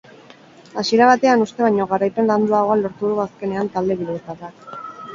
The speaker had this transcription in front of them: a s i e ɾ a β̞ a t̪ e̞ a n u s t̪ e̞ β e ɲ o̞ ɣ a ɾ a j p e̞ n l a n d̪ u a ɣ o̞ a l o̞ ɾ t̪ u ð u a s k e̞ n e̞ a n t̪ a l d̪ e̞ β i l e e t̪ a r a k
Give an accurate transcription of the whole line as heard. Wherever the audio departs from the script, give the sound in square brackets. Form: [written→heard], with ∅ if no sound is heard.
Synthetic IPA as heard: a s i e ɾ a β̞ a t̪ e̞ a n u s t̪ e̞ β [e→a] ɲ o̞ ɣ a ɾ a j p e̞ n l a n d̪ u a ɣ o̞ a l o̞ ɾ t̪ u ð u a s k e̞ n e̞ a n t̪ a l d̪ e̞ β i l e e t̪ a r a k